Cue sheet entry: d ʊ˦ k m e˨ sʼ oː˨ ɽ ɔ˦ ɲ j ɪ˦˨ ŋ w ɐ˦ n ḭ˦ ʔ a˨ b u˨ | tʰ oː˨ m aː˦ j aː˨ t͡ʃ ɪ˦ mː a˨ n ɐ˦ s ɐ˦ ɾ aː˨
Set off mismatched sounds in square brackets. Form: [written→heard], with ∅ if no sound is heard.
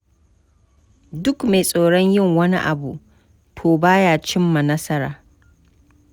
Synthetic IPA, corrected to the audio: d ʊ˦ k m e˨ sʼ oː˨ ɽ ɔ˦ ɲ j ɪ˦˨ ŋ w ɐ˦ n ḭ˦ ʔ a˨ b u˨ | tʰ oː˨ [m→b] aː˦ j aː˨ t͡ʃ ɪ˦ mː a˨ n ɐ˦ s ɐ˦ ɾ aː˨